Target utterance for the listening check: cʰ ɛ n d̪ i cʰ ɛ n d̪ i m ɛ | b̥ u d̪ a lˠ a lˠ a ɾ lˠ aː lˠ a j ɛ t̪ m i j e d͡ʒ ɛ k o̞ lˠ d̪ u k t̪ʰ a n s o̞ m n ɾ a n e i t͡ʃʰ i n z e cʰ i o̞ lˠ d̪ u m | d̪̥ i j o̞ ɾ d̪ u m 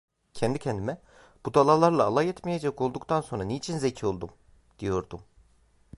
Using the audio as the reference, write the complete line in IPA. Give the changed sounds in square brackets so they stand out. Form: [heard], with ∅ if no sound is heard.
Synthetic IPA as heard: cʰ ɛ n d̪ i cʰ ɛ n d̪ i m ɛ | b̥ u d̪ a lˠ a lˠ a ɾ lˠ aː lˠ a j ɛ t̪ m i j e d͡ʒ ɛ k o̞ lˠ d̪ u k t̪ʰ a n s o̞ [∅] n ɾ a n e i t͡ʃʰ i n z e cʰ i o̞ lˠ d̪ u m | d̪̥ i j o̞ ɾ d̪ u m